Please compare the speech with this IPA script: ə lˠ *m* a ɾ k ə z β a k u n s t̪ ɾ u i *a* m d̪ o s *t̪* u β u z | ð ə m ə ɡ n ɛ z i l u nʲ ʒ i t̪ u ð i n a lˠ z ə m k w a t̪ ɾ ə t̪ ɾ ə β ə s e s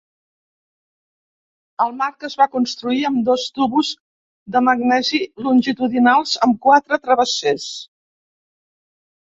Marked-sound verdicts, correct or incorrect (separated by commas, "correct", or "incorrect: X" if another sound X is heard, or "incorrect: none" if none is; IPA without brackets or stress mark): correct, incorrect: ə, correct